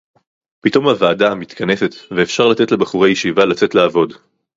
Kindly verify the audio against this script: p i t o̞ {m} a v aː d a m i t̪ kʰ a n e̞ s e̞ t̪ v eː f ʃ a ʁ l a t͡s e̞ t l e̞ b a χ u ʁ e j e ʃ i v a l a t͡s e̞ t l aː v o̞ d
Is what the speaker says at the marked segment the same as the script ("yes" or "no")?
yes